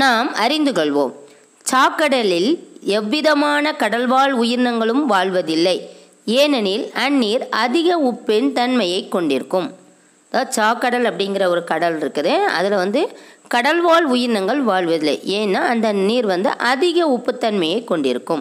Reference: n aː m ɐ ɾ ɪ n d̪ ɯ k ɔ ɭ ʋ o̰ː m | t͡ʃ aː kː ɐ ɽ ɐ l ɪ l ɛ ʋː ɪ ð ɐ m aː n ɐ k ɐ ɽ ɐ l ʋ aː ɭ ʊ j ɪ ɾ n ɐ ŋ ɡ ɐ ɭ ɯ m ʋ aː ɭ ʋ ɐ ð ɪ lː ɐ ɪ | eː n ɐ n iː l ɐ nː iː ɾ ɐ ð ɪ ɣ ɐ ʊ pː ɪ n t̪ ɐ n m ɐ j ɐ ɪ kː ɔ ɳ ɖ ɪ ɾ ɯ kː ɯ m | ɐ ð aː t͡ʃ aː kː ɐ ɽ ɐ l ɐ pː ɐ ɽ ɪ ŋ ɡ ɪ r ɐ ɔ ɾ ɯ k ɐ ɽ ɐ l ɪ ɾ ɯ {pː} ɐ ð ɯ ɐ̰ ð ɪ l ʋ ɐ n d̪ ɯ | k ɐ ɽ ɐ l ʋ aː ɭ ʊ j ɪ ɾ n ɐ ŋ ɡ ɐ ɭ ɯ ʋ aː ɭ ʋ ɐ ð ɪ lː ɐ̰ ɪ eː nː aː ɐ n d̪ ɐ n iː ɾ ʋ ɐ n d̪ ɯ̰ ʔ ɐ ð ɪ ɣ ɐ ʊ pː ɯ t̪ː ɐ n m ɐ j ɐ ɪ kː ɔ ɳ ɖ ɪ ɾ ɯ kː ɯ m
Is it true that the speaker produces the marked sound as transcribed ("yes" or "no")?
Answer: no